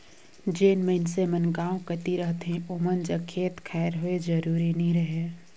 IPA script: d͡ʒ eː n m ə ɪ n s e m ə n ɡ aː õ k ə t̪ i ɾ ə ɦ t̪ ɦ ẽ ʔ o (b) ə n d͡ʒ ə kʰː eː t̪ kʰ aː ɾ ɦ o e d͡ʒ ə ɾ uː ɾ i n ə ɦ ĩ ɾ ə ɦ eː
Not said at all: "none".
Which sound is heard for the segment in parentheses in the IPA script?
m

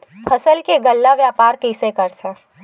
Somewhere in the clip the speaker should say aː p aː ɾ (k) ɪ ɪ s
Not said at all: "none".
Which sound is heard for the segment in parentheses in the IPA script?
k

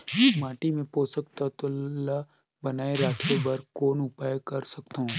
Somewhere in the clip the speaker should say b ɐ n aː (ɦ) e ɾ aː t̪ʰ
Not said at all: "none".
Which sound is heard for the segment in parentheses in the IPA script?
none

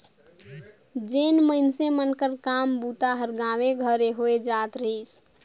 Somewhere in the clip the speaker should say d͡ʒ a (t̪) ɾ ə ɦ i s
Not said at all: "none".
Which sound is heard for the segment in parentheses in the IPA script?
t̪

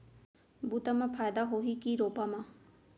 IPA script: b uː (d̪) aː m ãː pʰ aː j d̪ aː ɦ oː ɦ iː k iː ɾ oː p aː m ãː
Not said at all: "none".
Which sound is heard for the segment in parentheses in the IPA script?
t̪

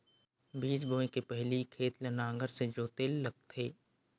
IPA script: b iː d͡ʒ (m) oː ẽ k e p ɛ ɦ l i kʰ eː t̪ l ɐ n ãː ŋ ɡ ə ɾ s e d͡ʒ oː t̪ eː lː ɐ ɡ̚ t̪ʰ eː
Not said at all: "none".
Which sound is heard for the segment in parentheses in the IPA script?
b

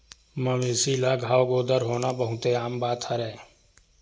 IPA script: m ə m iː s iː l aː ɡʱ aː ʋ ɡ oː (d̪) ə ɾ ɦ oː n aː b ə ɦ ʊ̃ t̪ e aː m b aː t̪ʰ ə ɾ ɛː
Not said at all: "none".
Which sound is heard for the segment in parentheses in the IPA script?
d̪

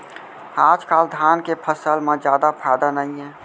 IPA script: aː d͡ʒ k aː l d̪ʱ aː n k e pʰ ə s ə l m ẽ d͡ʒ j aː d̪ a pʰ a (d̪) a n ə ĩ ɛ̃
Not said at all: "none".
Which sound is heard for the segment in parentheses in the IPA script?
d̪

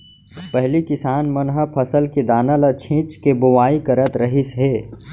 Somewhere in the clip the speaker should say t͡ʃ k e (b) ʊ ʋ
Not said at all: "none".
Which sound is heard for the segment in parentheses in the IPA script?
b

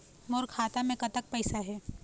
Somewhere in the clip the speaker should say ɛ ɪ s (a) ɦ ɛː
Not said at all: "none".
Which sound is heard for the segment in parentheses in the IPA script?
a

